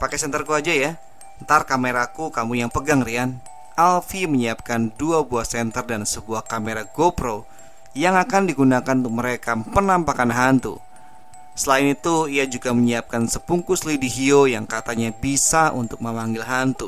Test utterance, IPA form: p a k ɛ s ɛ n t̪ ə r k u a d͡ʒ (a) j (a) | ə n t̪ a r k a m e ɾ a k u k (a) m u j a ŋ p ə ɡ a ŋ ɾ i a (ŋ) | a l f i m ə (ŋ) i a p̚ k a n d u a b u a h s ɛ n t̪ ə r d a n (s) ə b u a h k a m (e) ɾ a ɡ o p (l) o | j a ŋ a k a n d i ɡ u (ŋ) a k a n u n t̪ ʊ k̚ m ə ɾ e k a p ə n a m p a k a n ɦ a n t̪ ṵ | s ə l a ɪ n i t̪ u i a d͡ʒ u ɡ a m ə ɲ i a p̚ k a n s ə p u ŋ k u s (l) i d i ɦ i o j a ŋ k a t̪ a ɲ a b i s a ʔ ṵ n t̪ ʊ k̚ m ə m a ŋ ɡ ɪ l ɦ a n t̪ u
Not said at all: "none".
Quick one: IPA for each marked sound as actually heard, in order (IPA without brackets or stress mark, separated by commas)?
a, a, a, n, ɲ, s, e, ɾ, n, l